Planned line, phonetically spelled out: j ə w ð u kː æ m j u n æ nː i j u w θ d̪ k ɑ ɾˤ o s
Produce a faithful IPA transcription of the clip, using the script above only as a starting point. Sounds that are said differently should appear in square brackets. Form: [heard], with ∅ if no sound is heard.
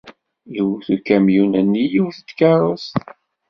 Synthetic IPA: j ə w [θ] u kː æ m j u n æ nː i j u w θ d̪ k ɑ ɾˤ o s